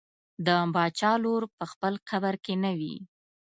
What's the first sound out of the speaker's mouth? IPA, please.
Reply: d̪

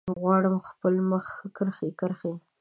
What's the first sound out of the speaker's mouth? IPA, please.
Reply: ɣ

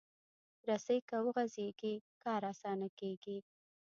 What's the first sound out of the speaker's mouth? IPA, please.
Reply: ɾ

